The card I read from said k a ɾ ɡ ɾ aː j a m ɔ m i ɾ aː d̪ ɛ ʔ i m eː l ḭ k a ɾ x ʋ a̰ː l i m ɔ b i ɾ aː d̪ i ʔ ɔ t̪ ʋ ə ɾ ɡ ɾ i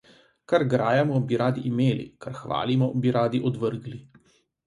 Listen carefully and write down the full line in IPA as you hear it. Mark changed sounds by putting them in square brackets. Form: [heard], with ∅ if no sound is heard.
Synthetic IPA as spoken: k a ɾ ɡ ɾ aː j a m ɔ [b] i ɾ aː d̪ [i] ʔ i m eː l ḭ k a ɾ x ʋ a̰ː l i m ɔ b i ɾ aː d̪ i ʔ ɔ [d̪] ʋ ə ɾ ɡ [l] i